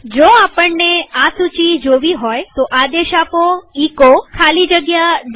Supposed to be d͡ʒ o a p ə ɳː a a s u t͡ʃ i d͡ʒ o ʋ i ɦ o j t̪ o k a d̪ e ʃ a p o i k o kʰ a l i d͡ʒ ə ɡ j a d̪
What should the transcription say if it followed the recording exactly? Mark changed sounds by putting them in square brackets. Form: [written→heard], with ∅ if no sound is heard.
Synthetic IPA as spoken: d͡ʒ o a p ə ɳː [a→e] a s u t͡ʃ i d͡ʒ o ʋ i ɦ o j t̪ o [k→ʔ] a d̪ e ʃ a p o i k o kʰ a l i d͡ʒ ə ɡ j a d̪